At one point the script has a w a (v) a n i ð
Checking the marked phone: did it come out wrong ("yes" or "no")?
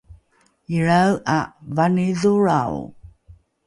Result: no